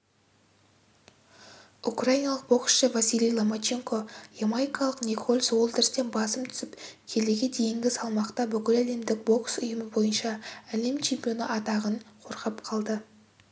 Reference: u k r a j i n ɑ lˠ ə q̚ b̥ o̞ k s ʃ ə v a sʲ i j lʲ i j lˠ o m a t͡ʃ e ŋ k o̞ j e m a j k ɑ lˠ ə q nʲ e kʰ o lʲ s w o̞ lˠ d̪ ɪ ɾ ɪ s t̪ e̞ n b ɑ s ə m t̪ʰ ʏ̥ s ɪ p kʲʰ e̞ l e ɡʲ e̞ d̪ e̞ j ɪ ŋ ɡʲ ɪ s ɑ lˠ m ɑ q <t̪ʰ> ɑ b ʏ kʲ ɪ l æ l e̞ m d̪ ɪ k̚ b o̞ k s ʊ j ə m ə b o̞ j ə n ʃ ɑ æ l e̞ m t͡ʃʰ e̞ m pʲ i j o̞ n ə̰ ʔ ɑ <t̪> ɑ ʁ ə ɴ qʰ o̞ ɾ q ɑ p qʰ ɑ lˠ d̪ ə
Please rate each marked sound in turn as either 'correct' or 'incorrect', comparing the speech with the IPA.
incorrect: t̪, correct

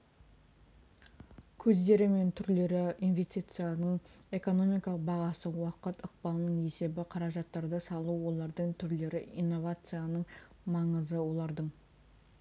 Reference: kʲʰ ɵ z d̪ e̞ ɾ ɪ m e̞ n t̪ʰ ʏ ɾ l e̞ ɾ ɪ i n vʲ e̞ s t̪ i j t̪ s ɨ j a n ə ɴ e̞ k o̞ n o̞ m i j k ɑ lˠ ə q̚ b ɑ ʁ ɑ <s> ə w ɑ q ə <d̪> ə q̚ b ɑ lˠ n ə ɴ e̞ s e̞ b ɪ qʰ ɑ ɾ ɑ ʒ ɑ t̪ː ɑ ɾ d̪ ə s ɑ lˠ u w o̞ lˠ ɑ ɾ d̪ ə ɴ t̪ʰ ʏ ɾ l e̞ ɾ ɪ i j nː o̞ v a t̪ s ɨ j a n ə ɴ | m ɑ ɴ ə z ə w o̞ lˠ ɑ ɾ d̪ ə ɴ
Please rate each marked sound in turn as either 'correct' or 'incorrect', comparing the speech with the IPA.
correct, incorrect: t̪

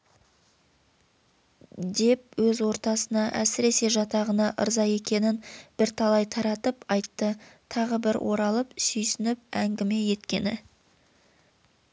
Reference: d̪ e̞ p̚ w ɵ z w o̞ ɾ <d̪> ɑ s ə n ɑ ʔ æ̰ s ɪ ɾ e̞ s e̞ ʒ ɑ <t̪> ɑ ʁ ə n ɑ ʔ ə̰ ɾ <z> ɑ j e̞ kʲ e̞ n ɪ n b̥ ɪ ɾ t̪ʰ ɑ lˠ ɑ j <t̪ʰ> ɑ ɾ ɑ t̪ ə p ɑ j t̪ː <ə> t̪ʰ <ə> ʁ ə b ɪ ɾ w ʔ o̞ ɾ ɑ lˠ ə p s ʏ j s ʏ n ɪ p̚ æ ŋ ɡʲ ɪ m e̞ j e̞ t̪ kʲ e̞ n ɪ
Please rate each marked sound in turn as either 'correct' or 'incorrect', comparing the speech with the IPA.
incorrect: t̪, correct, correct, correct, correct, incorrect: ɑ

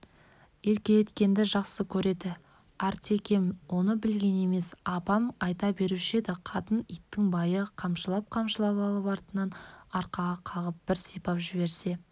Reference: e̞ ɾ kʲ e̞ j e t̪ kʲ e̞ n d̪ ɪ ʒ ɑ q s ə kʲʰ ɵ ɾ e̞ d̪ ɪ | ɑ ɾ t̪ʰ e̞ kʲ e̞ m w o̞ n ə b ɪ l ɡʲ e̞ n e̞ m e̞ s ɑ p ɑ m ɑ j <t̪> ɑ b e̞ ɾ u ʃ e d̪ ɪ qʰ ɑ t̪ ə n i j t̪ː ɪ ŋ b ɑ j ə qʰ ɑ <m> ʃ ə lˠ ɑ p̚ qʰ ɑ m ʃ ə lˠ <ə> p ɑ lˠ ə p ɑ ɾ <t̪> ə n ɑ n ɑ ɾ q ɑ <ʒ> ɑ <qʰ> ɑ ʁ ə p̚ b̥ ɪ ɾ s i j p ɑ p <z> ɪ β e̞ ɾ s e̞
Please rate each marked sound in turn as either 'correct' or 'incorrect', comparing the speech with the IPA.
correct, correct, incorrect: ɑ, correct, incorrect: ʁ, correct, incorrect: ʒ

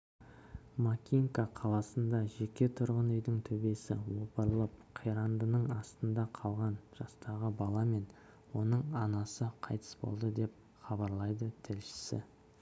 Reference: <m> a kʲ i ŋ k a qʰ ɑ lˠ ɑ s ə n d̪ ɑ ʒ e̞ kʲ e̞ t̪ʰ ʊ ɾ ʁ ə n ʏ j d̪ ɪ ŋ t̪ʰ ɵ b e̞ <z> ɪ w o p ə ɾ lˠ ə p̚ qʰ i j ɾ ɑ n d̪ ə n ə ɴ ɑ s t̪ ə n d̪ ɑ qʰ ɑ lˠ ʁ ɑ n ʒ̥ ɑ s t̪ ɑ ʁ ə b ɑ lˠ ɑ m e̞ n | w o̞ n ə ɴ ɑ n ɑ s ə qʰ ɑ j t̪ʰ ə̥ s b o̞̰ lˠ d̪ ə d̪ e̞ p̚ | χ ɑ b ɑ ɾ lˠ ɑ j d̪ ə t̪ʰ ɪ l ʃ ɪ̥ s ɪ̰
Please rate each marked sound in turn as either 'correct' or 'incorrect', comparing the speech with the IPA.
correct, incorrect: s

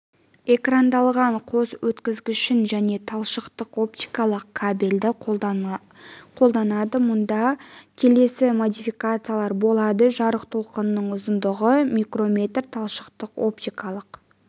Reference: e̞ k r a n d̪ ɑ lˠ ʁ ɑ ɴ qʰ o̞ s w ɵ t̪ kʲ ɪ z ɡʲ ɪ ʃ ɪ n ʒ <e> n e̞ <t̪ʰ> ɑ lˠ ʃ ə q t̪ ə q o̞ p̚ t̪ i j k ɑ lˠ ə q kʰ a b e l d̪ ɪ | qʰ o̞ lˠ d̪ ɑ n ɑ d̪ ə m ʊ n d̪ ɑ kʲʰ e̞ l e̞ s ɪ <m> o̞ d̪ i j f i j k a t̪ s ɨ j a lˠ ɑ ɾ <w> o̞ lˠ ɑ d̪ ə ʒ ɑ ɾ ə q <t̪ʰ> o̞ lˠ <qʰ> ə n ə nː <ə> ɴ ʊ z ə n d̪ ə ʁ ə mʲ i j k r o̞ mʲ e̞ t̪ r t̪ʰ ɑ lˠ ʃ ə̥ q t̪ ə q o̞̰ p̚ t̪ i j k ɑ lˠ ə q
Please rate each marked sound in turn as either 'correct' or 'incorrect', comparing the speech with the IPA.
incorrect: æ, correct, correct, incorrect: b, correct, incorrect: q, correct

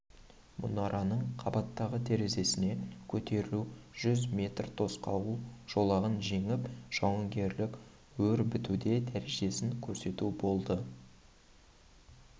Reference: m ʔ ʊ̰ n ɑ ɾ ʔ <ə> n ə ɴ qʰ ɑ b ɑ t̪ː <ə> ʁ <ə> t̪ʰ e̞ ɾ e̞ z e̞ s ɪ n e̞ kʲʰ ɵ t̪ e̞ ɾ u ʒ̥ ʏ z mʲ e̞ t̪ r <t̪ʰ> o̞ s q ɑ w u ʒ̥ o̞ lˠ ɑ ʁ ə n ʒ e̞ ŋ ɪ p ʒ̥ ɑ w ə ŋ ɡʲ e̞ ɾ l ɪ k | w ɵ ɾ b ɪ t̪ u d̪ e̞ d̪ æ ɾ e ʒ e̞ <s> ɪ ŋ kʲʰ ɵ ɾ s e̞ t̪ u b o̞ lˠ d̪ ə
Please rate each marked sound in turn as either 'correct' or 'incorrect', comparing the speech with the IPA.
incorrect: ɑ, incorrect: ɑ, correct, correct, correct

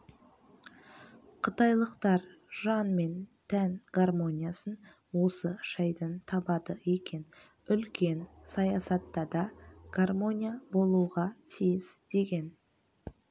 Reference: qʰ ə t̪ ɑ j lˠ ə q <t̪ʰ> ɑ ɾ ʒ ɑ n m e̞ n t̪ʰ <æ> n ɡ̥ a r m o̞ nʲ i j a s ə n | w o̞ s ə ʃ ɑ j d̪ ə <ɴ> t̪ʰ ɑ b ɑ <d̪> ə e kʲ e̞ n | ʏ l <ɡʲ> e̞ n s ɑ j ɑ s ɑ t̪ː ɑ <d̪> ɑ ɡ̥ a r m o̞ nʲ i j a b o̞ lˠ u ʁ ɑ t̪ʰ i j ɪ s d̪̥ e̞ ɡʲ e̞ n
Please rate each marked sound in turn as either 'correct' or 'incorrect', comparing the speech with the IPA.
incorrect: t̪, correct, incorrect: n, correct, incorrect: kʲ, correct

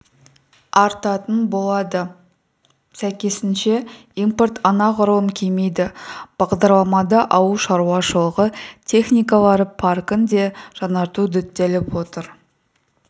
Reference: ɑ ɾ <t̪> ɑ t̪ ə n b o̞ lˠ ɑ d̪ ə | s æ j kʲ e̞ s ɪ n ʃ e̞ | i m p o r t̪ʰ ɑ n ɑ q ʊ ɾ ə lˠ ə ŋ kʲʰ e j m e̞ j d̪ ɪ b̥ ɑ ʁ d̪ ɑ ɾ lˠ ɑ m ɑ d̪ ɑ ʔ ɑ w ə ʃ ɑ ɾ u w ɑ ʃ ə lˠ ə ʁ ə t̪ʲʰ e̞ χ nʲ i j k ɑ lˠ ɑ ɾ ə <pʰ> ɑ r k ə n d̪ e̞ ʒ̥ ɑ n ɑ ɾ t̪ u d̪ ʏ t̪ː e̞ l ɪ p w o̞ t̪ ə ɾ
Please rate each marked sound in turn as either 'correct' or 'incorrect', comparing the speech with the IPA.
correct, correct

